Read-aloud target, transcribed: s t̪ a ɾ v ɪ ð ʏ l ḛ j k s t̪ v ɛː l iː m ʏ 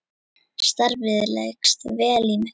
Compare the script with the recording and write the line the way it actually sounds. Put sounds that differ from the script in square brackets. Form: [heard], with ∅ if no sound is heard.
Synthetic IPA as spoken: s t̪ a ɾ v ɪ ð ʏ l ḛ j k s t̪ v ɛː l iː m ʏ